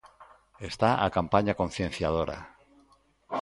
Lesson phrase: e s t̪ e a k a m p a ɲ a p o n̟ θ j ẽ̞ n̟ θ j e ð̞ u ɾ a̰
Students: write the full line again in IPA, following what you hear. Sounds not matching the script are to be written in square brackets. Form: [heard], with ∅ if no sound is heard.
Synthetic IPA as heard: e s t̪ [a] a k a m p a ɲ a [k] o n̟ θ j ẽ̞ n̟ θ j [a] ð̞ [o] ɾ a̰